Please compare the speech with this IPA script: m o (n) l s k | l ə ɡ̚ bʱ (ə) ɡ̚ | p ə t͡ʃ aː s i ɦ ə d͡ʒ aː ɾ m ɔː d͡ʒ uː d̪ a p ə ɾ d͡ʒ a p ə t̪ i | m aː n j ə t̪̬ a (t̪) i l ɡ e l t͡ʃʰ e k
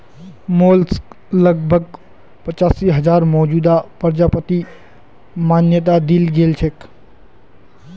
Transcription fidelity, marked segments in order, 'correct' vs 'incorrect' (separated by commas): incorrect, correct, incorrect